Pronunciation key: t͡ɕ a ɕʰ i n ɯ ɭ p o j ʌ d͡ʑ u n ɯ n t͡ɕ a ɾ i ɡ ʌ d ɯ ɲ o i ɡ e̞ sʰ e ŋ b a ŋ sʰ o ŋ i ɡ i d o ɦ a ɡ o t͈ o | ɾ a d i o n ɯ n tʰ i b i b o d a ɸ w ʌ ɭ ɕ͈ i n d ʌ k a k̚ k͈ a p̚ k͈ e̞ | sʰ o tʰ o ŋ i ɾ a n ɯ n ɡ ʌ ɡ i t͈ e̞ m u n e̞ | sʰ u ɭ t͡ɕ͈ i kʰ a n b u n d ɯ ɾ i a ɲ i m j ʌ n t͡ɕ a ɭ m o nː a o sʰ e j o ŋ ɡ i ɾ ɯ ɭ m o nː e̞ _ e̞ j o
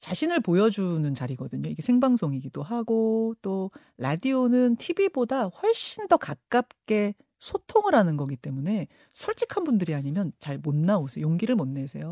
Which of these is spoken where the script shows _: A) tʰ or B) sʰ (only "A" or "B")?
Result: B